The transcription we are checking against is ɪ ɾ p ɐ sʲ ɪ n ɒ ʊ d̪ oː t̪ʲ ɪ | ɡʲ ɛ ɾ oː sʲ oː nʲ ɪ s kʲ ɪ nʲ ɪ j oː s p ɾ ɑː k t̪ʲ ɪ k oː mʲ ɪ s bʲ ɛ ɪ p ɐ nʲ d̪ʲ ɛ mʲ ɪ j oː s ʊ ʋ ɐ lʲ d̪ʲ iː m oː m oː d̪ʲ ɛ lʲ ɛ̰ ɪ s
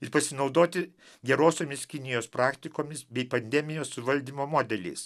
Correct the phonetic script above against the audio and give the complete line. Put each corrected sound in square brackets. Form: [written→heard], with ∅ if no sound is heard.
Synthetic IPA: ɪ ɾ p ɐ sʲ ɪ n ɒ ʊ d̪ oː t̪ʲ ɪ | ɡʲ ɛ ɾ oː sʲ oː [nʲ→mʲ] ɪ s kʲ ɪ nʲ ɪ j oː s p ɾ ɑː k t̪ʲ ɪ k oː mʲ ɪ s bʲ ɛ ɪ p ɐ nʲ d̪ʲ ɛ mʲ ɪ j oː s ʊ ʋ ɐ lʲ d̪ʲ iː m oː m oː d̪ʲ ɛ lʲ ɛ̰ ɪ s